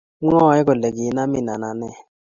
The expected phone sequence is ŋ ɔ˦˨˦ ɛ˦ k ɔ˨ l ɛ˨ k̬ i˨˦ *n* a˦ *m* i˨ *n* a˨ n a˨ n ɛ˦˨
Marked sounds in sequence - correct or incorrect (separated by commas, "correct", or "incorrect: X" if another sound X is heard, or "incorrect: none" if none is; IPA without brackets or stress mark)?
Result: correct, correct, correct